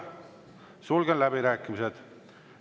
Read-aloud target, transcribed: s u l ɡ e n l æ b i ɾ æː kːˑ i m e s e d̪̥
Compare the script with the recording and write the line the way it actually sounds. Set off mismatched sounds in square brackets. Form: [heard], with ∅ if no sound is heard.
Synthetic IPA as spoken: s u l ɡ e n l æ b i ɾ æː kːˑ i m [i] s e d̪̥

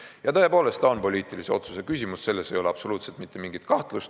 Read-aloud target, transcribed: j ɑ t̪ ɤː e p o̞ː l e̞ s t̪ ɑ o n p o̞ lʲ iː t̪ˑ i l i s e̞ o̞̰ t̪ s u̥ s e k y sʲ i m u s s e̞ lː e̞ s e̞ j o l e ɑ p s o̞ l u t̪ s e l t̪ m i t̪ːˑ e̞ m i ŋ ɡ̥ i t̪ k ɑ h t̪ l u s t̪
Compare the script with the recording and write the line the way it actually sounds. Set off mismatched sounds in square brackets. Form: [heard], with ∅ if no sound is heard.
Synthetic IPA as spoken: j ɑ t̪ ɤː e p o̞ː l e̞ s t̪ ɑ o n p o̞ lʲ iː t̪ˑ i l i s e̞ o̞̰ t̪ s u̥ s e k y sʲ i m u s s e̞ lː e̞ s e̞ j o l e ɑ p s o̞ l [uː] t̪ s e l t̪ m i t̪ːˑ e̞ m i ŋ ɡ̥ i t̪ k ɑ h t̪ l u s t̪

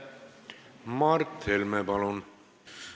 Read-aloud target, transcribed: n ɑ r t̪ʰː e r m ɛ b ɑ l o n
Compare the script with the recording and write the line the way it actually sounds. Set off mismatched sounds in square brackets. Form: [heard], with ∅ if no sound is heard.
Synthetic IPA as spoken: [m] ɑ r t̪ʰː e [l] m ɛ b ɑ l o n

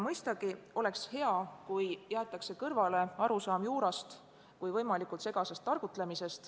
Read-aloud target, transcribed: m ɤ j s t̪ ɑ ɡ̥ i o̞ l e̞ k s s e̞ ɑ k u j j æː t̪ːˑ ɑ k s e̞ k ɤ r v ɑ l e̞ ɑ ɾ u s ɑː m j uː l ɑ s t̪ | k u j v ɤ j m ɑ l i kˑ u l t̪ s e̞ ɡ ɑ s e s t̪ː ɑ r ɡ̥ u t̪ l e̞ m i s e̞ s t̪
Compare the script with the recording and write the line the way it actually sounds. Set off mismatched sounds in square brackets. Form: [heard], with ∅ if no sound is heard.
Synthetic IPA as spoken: m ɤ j s t̪ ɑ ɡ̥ i o̞ l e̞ k s [h] e̞ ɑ k u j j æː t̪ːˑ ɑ k s e̞ k ɤ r v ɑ l e̞ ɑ ɾ u s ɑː m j uː [ɾ] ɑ s t̪ | k u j v ɤ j m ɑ l i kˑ u l t̪ s e̞ ɡ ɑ s e s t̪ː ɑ r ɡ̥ u t̪ l e̞ m i s e̞ s t̪

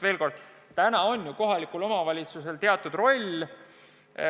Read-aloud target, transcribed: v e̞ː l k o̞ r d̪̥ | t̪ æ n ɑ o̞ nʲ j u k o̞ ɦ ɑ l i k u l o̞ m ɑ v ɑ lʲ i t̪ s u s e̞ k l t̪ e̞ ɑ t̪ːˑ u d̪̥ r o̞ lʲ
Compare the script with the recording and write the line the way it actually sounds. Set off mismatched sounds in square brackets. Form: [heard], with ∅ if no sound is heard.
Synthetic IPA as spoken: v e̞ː l k o̞ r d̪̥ | t̪ æ n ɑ o̞ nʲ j u k o̞ ɦ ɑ l i k u l o̞ m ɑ v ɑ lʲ i t̪ s u s e̞ [∅] l t̪ e̞ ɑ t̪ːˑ u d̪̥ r o̞ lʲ

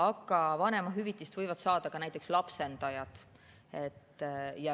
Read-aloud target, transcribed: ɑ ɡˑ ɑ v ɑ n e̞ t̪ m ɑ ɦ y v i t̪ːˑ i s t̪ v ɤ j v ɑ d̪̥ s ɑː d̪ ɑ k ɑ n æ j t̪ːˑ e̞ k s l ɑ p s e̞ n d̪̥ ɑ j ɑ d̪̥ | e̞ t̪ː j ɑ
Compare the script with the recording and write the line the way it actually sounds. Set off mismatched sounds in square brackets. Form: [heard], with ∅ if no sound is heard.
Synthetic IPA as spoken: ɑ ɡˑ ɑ v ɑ n e̞ [∅] m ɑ ɦ y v i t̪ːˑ i s t̪ v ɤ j v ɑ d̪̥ s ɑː d̪ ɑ k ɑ n æ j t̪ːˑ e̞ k s l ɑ p s e̞ n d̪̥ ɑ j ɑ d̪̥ | e̞ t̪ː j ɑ

